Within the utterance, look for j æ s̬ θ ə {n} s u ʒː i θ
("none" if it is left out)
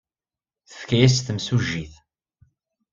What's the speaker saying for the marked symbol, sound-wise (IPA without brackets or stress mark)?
m